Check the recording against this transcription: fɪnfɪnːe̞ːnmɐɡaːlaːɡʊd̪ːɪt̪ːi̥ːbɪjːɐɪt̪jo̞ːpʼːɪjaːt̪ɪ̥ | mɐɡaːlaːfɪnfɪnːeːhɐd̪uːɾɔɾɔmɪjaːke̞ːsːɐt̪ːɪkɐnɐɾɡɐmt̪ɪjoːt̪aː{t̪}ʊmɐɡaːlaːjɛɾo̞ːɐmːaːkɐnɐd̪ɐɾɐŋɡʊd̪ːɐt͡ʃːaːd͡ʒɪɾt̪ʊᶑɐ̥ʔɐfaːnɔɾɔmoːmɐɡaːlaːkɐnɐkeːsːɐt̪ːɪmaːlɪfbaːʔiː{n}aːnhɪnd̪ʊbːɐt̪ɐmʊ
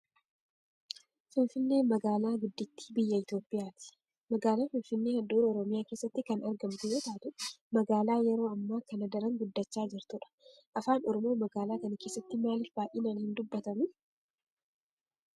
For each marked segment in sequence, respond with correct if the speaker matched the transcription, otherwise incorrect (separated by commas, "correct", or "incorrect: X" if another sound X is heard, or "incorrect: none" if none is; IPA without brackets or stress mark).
correct, correct